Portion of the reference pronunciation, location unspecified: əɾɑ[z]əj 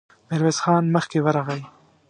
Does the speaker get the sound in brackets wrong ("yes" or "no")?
yes